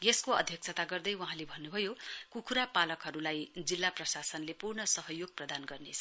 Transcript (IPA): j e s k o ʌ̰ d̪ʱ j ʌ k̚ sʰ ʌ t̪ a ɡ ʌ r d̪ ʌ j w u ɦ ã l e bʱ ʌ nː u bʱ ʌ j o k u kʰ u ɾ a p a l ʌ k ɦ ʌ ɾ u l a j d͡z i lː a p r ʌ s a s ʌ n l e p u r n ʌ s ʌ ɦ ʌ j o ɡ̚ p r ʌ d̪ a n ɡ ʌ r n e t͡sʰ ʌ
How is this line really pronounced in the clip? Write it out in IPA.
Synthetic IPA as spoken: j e s k o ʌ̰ d̪ʱ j ʌ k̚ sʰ ʌ t̪ a ɡ ʌ r d̪ ʌ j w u ɦ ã l e bʱ ʌ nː u bʱ ʌ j o k u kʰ u ɾ a p a l ʌ k ɦ ʌ ɾ u l a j d͡z i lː a p r ʌ s a s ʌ n l e p u r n ʌ s ʌ ɦ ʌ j o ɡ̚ p r ʌ d̪ a n ɡ ʌ r n e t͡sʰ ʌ